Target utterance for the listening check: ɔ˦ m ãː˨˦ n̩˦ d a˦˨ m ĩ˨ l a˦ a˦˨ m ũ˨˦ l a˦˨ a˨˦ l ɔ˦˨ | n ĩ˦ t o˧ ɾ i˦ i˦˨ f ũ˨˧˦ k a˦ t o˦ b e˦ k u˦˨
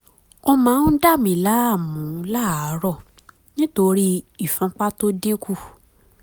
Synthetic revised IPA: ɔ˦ m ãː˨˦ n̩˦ d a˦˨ m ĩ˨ l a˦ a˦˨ m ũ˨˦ l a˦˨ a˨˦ ɾ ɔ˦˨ | n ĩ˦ t o˧ ɾ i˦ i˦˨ f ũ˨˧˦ k͡p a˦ t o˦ d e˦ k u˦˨